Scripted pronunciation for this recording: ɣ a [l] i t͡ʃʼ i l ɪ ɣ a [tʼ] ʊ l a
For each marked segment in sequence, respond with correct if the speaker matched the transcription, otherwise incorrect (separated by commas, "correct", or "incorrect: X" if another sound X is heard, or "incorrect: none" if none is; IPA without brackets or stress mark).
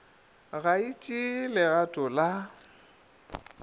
incorrect: none, correct